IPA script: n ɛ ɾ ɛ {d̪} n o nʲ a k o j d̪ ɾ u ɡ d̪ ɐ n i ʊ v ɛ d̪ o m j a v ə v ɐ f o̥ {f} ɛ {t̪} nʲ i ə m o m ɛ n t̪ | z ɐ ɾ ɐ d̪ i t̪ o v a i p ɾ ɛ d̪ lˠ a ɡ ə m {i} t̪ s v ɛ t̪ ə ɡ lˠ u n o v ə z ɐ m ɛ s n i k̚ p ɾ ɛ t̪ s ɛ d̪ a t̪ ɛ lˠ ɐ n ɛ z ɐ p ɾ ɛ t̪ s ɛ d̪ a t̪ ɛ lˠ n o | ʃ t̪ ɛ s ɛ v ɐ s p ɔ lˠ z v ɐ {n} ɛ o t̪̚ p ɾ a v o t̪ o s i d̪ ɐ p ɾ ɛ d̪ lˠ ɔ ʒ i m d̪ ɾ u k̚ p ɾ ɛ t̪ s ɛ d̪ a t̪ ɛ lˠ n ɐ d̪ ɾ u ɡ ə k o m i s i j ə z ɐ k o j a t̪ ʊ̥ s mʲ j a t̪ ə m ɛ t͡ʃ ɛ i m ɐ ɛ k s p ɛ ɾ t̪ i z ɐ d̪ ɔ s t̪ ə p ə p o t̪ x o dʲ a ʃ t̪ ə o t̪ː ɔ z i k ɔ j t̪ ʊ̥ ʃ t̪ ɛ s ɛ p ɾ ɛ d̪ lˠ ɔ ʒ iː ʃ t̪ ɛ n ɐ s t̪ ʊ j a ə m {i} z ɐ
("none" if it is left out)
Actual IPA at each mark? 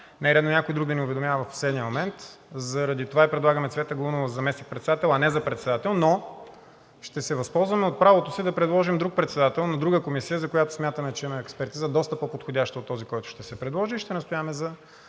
d̪, s, d̪, ɛ, m, ɛ

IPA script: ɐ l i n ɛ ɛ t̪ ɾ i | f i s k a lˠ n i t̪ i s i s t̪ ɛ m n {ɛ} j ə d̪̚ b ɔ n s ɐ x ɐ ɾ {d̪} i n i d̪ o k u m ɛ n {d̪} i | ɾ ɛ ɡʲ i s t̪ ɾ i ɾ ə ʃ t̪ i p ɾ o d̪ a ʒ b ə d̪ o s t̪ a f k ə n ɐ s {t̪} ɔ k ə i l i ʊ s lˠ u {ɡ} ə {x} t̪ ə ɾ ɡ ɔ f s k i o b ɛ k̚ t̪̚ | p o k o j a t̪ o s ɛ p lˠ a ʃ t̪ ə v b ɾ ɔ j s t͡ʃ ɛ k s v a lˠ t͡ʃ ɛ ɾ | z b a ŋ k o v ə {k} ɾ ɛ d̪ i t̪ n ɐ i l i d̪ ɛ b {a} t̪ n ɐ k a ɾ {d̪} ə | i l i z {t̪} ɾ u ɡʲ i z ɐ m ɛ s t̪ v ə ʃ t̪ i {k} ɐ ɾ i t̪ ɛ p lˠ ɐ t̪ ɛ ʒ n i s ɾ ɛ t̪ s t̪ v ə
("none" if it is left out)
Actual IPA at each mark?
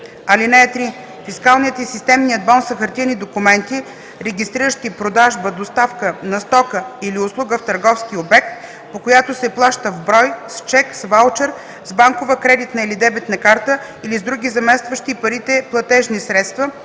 i, t̪, t̪, t̪, ɡ, f, k, ɛ, t̪, d̪, p

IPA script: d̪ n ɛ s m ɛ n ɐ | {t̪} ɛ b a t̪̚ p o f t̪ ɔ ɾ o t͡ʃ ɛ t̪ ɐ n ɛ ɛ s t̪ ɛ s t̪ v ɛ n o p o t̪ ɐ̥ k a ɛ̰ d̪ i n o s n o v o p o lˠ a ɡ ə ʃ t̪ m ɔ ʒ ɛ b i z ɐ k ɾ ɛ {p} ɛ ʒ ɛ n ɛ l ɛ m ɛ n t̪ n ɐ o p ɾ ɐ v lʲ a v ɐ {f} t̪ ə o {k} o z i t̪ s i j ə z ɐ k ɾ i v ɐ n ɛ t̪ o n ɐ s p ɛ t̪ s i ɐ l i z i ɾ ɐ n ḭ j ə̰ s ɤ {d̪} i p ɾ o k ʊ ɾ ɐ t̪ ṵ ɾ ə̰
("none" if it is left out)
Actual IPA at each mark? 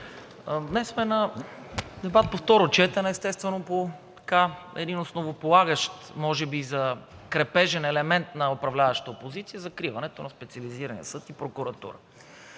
d̪, p, ʃ, p, t̪

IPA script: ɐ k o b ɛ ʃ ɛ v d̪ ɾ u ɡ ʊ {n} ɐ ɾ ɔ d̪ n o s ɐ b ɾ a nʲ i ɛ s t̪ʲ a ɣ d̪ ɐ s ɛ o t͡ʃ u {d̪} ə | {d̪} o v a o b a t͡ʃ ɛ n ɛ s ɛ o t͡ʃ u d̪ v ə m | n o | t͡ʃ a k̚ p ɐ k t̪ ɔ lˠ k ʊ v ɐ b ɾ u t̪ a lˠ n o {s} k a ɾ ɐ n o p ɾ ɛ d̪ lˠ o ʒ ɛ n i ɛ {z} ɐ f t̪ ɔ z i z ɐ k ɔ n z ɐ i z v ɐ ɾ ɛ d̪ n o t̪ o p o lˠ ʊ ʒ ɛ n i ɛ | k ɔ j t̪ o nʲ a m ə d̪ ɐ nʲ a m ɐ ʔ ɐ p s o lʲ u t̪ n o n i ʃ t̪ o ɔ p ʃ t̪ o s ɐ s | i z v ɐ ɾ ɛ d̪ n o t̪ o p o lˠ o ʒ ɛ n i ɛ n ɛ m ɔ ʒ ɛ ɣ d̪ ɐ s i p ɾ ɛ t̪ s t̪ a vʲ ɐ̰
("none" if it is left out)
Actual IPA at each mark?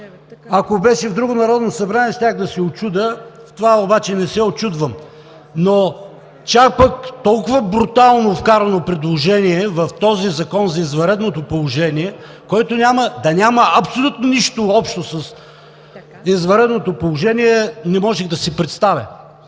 n, d̪, t̪, f, v

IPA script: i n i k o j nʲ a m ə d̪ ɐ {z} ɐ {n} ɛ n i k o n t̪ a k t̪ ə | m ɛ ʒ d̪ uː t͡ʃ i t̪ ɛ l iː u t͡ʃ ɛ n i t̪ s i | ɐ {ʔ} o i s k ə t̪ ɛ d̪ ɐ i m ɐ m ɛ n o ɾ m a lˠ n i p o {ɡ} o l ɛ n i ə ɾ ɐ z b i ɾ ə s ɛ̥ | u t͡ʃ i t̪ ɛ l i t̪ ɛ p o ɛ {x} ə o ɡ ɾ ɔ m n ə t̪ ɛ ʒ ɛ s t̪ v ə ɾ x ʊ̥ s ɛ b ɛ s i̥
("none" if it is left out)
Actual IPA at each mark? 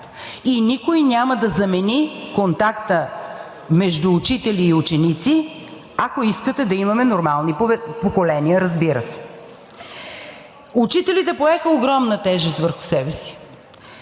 z, m, k, k, x

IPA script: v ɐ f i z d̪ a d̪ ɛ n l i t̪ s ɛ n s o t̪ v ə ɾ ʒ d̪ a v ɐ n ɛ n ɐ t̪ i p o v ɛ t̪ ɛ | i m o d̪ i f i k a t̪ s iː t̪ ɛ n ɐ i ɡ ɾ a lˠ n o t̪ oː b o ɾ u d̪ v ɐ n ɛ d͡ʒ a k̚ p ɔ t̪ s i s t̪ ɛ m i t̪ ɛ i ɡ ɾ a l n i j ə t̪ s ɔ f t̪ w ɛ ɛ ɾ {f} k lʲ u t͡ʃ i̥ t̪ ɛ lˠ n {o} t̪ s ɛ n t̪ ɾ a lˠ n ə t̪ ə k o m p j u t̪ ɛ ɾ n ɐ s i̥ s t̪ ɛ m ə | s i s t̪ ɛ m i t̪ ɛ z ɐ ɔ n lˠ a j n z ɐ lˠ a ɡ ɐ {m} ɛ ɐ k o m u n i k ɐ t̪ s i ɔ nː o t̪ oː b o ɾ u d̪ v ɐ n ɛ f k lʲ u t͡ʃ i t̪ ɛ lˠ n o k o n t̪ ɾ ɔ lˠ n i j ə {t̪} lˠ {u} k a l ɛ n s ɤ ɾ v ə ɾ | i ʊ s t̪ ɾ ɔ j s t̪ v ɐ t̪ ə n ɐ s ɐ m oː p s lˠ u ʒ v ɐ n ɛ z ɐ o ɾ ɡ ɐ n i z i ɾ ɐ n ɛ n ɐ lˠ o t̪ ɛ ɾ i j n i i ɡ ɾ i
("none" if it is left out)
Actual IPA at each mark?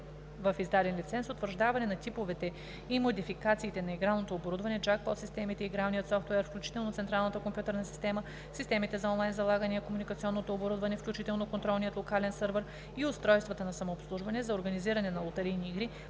f, o, n, t̪, o

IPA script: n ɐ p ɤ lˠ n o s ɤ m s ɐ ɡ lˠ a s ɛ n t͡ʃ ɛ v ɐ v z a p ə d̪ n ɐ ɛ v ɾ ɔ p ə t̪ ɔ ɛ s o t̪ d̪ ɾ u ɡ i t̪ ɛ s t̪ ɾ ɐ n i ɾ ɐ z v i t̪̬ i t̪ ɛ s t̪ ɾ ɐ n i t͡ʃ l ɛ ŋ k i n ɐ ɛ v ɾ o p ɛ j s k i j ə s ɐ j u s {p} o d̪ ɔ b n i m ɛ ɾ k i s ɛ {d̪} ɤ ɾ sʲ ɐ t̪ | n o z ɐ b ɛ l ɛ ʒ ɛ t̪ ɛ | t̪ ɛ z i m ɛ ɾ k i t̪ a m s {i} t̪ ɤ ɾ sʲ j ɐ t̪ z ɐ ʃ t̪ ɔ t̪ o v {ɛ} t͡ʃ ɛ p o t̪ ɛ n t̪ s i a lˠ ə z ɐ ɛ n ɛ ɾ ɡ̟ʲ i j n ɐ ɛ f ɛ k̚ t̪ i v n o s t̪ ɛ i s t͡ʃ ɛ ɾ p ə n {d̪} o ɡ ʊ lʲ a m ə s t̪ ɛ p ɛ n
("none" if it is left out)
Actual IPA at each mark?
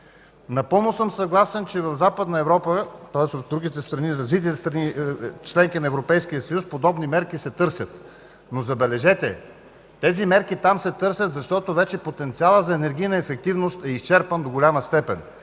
p, t̪, ɛ, ɛ, d̪

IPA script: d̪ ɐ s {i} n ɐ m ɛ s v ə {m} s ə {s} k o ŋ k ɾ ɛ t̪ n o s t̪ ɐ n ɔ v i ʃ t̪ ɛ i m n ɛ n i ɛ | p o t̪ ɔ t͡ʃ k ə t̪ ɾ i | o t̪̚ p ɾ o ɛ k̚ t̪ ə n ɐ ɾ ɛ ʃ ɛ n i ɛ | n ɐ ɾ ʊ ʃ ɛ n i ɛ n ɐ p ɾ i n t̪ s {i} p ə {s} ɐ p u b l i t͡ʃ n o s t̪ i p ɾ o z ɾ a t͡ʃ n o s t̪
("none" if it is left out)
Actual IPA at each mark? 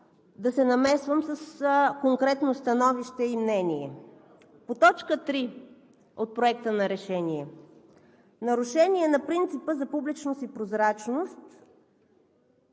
ɛ, m, s, i, z

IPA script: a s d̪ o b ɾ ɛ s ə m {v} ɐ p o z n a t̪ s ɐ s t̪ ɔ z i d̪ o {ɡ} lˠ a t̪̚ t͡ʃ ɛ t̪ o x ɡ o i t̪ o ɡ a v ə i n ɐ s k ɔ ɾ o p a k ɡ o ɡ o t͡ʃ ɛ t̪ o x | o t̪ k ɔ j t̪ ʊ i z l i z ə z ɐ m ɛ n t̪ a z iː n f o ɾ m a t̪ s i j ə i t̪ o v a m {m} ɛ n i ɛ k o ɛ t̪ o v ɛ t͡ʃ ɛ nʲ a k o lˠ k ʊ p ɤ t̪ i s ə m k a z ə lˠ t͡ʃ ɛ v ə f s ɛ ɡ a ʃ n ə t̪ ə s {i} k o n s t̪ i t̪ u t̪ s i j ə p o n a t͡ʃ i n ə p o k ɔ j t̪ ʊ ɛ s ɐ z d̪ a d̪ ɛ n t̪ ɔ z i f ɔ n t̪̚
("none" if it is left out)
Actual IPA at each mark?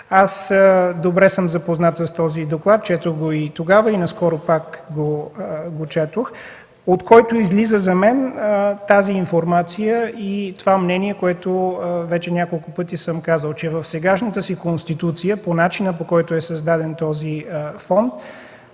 z, k, n, i

